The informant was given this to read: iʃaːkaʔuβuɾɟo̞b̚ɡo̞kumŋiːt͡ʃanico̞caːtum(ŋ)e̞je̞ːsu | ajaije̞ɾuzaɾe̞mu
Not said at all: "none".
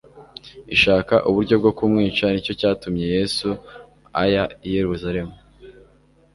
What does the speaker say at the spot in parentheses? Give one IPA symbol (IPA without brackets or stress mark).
ɲ